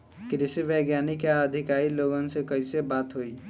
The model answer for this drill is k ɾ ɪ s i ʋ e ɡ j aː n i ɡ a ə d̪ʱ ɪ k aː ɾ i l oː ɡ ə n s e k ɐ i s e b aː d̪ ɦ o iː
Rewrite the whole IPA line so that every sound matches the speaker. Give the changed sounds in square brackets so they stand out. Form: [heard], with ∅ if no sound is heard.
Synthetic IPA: k ɾ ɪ s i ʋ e ɡ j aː n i [k] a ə d̪ʱ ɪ k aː ɾ i l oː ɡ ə n s e k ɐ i s e b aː [t̪] ɦ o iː